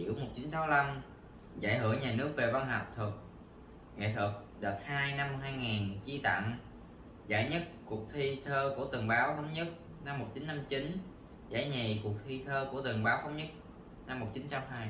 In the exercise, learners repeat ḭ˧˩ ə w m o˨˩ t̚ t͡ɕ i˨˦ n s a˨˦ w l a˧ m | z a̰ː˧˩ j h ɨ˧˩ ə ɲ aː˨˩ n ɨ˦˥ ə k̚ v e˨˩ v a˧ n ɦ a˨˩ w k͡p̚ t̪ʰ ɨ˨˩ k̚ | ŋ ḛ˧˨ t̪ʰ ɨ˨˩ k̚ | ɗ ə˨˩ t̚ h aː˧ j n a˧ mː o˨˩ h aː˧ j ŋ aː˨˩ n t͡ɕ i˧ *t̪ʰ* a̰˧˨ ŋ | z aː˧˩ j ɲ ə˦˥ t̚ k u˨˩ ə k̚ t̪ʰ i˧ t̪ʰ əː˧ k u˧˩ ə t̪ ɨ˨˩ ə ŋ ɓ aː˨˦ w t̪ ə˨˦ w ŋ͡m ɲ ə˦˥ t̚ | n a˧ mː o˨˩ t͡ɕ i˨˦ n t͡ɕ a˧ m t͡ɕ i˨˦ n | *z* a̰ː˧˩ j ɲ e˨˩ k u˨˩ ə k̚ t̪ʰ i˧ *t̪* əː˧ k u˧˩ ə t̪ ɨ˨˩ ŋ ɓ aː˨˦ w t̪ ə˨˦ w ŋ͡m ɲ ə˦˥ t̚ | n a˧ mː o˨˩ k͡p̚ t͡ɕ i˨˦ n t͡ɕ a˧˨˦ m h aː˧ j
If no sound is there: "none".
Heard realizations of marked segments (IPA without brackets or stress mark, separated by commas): t̪, z, t̪ʰ